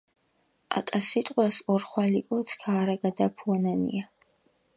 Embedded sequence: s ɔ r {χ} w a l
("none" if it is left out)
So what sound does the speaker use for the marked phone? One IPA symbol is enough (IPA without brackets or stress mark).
χ